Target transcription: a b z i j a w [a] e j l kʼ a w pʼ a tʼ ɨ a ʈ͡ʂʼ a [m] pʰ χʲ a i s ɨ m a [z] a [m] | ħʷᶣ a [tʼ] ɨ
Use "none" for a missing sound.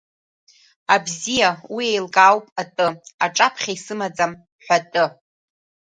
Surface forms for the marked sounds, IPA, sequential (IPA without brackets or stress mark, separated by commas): i, none, d͡z, m, tʼ